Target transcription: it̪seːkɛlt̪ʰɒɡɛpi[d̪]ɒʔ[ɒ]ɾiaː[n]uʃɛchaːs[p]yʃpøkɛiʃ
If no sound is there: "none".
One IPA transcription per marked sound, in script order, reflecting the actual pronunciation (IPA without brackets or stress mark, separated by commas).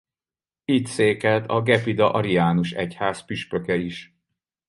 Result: d̪, ɒ, n, p